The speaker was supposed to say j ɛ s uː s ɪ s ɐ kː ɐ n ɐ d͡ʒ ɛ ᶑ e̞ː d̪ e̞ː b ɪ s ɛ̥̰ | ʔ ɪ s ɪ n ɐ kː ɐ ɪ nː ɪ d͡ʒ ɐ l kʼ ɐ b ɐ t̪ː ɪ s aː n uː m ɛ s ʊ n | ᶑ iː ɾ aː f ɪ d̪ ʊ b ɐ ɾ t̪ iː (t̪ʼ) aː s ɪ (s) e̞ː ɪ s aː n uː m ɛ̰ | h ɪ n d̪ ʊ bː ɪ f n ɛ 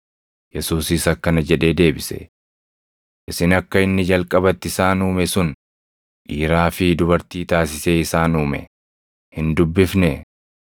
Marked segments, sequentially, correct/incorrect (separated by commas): incorrect, correct